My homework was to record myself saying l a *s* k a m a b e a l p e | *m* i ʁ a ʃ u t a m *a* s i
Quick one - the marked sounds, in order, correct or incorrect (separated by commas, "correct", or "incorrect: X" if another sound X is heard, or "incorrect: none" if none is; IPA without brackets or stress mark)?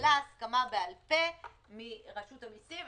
correct, correct, incorrect: i